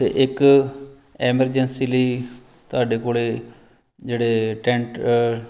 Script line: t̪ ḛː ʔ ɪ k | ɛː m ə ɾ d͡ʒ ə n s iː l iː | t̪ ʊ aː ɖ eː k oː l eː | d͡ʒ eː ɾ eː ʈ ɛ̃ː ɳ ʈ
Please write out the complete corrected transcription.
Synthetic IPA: t̪ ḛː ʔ ɪ k | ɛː m ə ɾ d͡ʒ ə n s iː l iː | t̪ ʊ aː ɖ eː k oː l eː | d͡ʒ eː ɽ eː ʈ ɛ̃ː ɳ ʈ